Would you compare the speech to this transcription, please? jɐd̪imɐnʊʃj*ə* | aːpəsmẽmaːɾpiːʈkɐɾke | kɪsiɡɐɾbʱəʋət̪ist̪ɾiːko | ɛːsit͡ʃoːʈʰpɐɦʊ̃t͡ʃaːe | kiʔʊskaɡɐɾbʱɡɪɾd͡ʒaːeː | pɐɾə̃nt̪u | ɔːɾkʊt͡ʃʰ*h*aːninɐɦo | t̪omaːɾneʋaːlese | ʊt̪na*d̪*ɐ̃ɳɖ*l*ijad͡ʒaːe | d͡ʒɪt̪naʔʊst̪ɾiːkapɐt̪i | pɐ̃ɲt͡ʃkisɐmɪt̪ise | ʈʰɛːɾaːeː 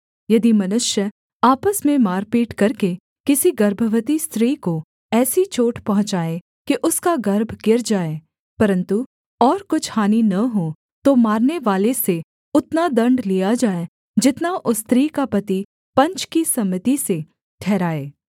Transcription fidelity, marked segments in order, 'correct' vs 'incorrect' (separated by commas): correct, correct, correct, correct